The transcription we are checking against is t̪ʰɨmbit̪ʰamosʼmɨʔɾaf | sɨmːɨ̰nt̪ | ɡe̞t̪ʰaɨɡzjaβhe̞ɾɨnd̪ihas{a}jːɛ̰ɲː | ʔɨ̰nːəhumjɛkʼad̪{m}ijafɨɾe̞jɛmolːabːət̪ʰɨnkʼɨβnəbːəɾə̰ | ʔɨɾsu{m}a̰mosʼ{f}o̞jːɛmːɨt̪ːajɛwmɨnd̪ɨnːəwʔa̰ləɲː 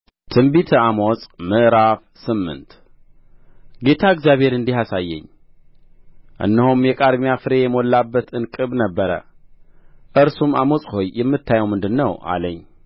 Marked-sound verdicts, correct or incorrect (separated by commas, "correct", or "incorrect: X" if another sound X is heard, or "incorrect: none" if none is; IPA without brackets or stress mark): correct, correct, correct, incorrect: h